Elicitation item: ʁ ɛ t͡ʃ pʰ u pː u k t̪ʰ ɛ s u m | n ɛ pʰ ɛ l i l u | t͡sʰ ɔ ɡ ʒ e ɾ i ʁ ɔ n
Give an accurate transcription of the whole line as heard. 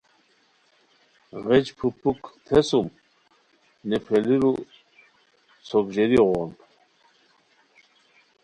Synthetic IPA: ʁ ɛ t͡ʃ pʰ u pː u k t̪ʰ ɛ s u m | n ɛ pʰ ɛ l i ɾ u | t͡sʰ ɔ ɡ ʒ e ɾ i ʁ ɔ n